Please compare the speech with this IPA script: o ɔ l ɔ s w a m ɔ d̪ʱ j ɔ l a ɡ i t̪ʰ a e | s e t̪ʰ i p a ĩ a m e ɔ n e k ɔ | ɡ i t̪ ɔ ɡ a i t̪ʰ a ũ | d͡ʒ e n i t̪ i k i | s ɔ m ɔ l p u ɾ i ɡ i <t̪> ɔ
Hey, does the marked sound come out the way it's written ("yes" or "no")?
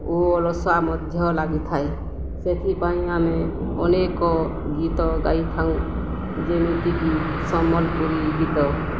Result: yes